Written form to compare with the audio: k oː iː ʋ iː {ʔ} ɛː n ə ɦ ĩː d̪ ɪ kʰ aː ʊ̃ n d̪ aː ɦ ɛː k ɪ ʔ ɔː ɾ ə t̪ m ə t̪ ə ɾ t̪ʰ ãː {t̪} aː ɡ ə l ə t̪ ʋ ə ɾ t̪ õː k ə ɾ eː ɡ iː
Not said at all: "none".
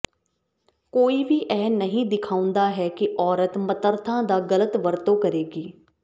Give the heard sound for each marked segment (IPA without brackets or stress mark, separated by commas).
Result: ʔ, d̪